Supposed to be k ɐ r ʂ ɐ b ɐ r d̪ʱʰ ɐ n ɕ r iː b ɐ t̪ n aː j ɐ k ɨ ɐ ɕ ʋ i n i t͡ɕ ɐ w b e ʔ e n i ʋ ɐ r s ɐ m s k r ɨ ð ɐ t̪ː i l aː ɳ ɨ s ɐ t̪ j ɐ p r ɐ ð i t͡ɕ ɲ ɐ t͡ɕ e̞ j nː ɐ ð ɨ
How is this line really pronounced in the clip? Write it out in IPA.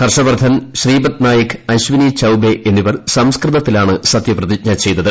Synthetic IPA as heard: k ɐ r ʂ ɐ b ɐ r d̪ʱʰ ɐ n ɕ r iː b ɐ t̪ n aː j ɐ k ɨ ɐ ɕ ʋ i n i t͡ɕ ɐ w b e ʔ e nː i ʋ ɐ r s ɐ m s k r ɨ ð ɐ t̪ː i l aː ɳ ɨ s ɐ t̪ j ɐ p r ɐ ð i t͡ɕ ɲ ɐ t͡ɕ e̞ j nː ɐ ð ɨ

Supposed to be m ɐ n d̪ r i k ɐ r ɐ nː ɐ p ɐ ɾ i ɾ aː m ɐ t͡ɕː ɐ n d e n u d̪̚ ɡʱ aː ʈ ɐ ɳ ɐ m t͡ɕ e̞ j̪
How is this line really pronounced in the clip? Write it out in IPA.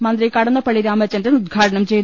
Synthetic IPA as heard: m ɐ n d̪ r i k ɐ ɽ ɐ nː ɐ p ɐ ɭ i ɾ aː m ɐ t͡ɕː ɐ n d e n u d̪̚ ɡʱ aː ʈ ɐ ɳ ɐ m t͡ɕ e̞ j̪

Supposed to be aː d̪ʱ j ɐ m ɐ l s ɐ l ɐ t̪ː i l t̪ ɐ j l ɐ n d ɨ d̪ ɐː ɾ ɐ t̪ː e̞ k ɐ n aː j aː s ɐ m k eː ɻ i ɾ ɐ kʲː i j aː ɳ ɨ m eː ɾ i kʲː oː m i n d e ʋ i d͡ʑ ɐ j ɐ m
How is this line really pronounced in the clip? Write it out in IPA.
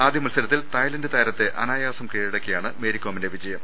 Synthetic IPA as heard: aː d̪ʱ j ɐ m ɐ l s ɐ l ɐ t̪ː i l t̪ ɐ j l ɐ n d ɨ t̪ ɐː ɾ ɐ t̪ː e̞ ʔ ɐ n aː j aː s ɐ m k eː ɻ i ɽ ɐ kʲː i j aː ɳ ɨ m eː ɾ i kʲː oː m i n d e ʋ i d͡ʑ ɐ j ɐ m

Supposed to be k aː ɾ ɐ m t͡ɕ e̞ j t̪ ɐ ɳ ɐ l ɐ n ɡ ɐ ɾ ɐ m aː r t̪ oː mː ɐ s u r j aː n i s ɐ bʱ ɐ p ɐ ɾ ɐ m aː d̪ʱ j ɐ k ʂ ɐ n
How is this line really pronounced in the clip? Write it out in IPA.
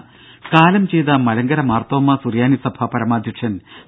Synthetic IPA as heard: k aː l ɐ m t͡ɕ e̞ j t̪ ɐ m ɐ l ɐ ŋ ɡ ɐ ɾ ɐ m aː r t̪ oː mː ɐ s u r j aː n i s ɐ bʱ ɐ p ɐ ɾ ɐ m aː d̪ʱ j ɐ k ʂ ɐ n

